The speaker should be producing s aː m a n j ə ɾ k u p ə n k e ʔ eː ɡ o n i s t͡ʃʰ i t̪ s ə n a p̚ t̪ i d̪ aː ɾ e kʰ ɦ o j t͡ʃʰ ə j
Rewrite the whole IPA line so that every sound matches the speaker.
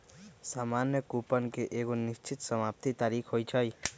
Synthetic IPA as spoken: s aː m a n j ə k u p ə n k e ʔ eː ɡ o n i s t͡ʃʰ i t̪ s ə m a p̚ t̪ i t̪ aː ɾ i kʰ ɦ o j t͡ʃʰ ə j